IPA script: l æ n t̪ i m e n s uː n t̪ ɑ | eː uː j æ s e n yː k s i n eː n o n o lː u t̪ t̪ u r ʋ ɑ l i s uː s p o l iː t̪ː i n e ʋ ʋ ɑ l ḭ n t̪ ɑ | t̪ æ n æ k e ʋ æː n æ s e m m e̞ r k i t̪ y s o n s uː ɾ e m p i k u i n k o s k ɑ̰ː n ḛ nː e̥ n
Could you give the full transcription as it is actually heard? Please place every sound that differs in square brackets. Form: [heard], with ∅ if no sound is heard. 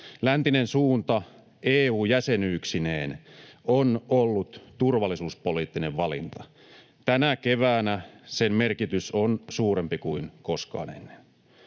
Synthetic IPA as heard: l æ n t̪ i [n] e n s uː n t̪ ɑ | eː uː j æ s e n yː k s i n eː n o n o lː u t̪ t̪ u r ʋ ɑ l i s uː s p o l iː t̪ː i n e ʋ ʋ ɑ l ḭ n t̪ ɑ | t̪ æ n æ k e ʋ æː n æ s e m m e̞ r k i t̪ y s o n s uː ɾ e m p i k u i n k o s k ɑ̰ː n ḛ nː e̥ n